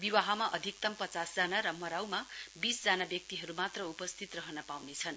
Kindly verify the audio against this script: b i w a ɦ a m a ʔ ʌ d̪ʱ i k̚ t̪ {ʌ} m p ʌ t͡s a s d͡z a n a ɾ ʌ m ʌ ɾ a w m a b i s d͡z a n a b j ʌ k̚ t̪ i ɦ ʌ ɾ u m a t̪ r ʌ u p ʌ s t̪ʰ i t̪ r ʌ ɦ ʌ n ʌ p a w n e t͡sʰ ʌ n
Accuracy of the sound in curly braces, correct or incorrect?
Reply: correct